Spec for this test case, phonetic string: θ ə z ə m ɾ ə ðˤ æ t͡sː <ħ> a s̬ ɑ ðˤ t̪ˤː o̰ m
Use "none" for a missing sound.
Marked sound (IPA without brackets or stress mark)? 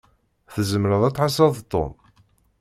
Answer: ħ